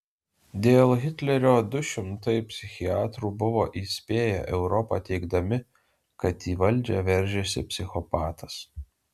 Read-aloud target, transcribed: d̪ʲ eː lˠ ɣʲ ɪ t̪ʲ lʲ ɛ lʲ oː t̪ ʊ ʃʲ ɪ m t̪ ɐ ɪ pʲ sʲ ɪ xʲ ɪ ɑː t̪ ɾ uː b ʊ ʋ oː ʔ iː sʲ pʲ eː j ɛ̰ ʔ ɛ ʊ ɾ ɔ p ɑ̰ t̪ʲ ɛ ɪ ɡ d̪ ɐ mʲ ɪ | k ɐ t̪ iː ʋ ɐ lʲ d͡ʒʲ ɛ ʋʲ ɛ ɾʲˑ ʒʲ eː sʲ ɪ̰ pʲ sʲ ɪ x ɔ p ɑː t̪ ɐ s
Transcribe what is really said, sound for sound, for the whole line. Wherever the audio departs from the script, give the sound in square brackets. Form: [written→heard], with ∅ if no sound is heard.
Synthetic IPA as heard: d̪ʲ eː lˠ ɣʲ ɪ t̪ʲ lʲ ɛ [lʲ→ɾʲ] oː [t̪→d̪] ʊ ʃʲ ɪ m t̪ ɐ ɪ pʲ sʲ ɪ xʲ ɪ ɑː t̪ ɾ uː b ʊ ʋ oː ʔ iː sʲ pʲ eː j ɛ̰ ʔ ɛ ʊ ɾ ɔ p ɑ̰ t̪ʲ ɛ ɪ ɡ d̪ ɐ mʲ ɪ | k ɐ t̪ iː ʋ ɐ lʲ d͡ʒʲ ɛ ʋʲ ɛ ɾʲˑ ʒʲ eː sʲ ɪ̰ pʲ sʲ ɪ x ɔ p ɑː t̪ ɐ s